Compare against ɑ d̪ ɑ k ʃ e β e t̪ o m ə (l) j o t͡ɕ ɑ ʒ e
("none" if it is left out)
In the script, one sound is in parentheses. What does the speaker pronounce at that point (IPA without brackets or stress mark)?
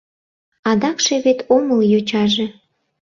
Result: l